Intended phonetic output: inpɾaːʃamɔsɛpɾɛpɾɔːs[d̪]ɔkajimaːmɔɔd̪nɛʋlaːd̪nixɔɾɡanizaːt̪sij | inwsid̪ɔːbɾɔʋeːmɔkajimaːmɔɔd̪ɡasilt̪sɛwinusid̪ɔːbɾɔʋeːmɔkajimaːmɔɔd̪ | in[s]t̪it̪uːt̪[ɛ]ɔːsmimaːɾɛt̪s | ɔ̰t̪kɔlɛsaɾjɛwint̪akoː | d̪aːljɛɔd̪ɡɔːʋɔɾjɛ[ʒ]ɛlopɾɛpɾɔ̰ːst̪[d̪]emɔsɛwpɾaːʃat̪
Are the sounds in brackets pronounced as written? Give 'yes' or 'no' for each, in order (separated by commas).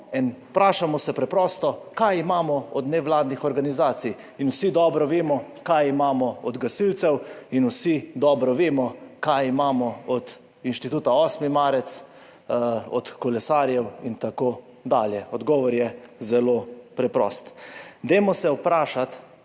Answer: no, no, no, no, yes